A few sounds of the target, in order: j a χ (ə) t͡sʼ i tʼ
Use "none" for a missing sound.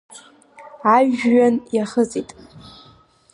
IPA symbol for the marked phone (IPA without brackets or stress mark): ə